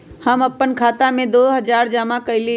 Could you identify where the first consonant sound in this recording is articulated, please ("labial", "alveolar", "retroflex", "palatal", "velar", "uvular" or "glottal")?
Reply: glottal